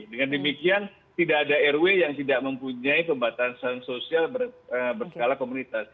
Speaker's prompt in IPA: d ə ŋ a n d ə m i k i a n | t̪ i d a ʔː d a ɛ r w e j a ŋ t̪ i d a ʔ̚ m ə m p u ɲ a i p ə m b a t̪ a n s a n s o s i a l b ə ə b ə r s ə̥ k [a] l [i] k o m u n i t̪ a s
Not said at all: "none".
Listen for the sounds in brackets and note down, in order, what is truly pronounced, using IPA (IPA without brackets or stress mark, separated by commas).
a, a